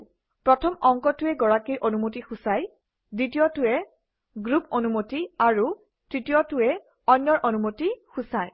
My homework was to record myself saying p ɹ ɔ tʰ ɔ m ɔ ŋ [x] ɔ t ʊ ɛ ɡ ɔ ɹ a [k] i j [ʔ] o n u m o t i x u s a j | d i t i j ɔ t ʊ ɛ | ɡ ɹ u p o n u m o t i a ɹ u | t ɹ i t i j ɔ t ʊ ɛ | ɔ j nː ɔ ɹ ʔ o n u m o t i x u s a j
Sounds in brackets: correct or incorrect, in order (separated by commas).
incorrect, correct, correct